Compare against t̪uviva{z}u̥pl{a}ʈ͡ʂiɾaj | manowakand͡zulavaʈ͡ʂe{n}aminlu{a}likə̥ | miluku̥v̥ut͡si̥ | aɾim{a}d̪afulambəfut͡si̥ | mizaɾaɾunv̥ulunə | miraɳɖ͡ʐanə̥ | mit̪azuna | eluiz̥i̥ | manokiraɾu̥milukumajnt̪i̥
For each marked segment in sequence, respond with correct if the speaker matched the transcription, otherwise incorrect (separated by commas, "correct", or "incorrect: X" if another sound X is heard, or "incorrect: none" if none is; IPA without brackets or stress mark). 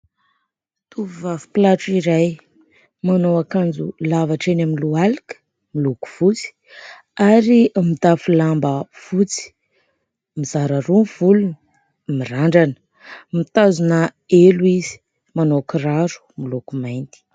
incorrect: v, correct, correct, correct, incorrect: i